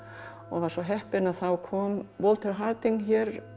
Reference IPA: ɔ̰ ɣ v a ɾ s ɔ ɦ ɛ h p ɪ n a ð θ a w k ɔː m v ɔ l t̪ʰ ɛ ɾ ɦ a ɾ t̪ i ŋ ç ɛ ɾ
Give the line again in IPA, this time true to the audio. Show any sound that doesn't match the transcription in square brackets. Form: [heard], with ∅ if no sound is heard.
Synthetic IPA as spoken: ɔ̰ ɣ v a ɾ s ɔ ɦ ɛ h p ɪ n a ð θ a w [kʰ] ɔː m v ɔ l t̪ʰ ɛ ɾ ɦ a ɾ t̪ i ŋ ç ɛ ɾ